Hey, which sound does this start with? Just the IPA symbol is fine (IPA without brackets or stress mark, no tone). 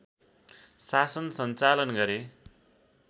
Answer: s